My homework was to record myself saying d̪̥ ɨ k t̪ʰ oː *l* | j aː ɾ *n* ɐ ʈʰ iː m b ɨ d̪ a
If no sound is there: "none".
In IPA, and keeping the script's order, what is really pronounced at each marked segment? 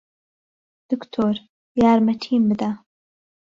ɾ, m

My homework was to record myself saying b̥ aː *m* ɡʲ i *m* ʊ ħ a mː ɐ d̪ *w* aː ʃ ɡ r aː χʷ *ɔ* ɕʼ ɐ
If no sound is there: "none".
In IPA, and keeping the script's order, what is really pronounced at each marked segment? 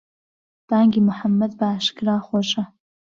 ŋ, m, b, ɔ

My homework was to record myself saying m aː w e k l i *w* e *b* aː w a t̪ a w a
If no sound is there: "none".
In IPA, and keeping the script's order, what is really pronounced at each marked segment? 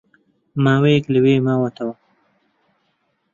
w, m

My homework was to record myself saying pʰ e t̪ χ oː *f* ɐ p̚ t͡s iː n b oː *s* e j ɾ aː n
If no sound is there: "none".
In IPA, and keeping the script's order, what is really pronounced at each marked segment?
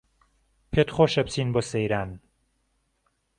ʃ, s

